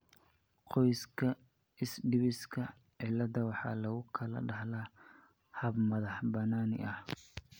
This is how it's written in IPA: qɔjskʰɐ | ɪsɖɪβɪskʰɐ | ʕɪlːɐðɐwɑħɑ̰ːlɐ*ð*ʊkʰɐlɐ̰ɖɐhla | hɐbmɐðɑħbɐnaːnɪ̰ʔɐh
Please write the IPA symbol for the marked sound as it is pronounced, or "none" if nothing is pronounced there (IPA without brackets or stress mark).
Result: ɣ